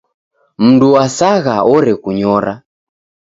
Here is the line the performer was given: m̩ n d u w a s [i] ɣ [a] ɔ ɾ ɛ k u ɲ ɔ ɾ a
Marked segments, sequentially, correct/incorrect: incorrect, correct

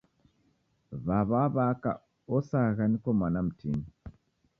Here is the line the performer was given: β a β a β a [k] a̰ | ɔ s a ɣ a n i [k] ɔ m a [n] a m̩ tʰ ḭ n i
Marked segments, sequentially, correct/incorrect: correct, correct, correct

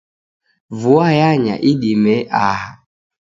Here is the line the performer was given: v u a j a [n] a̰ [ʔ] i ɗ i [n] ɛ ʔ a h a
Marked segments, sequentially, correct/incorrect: incorrect, correct, incorrect

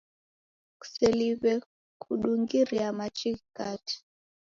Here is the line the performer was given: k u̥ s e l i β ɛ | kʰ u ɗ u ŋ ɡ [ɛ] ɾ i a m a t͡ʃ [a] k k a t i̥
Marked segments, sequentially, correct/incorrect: incorrect, incorrect

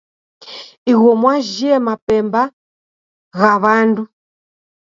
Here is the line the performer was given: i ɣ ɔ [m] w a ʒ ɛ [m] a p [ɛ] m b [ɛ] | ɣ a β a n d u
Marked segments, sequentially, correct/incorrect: correct, correct, correct, incorrect

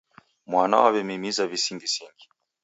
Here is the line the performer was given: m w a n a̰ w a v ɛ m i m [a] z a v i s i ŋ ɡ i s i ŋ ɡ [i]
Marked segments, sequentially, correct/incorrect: incorrect, correct

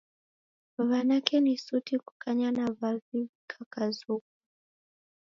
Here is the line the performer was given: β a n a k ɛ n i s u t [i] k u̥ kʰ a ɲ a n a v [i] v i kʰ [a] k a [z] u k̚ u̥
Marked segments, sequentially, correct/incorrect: correct, incorrect, correct, correct

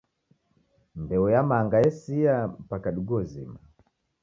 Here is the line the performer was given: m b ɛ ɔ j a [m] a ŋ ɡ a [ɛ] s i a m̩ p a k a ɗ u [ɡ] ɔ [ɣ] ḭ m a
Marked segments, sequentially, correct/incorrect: correct, correct, correct, incorrect

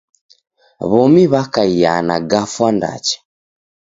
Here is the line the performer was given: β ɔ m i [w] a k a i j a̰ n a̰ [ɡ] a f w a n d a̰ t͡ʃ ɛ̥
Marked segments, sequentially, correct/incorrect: incorrect, correct

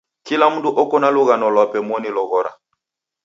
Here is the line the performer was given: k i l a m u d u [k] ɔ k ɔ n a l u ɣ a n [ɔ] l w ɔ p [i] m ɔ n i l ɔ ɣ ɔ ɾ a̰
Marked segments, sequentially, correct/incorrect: incorrect, correct, incorrect

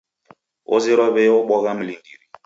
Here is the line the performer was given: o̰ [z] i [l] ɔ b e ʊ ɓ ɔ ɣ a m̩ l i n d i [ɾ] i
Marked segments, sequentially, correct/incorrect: correct, incorrect, correct

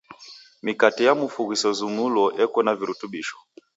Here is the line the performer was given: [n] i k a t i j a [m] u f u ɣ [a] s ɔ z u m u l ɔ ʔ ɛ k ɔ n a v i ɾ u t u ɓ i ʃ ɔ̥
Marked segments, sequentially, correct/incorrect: incorrect, correct, incorrect

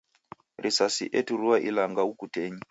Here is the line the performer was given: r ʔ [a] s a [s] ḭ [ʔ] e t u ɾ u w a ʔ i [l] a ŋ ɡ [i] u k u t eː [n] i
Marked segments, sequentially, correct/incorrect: incorrect, correct, correct, correct, incorrect, incorrect

